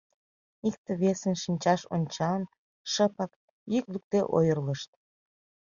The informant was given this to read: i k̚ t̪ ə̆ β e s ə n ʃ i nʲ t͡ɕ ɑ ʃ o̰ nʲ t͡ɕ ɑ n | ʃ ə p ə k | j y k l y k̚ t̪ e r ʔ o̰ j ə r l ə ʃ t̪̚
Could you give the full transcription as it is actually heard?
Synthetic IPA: i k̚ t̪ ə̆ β e s ə n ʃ i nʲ t͡ɕ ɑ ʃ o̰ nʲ t͡ɕ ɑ n | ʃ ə p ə k | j y k l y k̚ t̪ e ʔ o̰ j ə r l ə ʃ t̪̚